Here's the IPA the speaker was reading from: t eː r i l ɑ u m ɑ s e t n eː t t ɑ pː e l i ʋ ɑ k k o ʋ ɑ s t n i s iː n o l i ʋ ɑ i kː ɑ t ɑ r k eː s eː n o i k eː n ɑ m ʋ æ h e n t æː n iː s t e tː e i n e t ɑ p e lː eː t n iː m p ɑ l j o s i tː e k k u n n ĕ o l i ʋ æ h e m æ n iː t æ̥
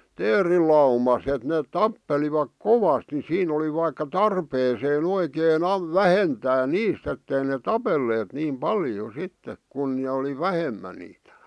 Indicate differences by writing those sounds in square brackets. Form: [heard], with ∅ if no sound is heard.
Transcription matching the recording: t eː r i l ɑ u m ɑ s e t n eː t t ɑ pː e l i ʋ ɑ k k o ʋ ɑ s t n i s iː n o l i ʋ ɑ i kː ɑ t ɑ r [p] eː s eː n o i k eː n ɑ m ʋ æ h e n t æː n iː s t e tː e i n e t ɑ p e lː eː t n iː m p ɑ l j o s i tː e k k u n n ĕ o l i ʋ æ h e m æ n iː t æ̥